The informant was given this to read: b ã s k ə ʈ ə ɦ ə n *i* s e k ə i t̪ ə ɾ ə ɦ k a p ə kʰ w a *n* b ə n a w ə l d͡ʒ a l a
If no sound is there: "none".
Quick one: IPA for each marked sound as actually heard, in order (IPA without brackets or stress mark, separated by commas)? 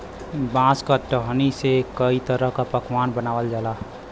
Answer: i, n